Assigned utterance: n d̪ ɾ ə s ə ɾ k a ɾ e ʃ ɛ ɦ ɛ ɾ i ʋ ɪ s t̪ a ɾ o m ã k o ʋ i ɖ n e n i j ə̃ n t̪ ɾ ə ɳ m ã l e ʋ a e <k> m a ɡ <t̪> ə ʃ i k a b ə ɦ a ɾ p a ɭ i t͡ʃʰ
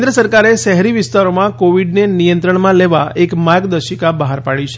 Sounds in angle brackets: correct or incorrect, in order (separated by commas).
correct, incorrect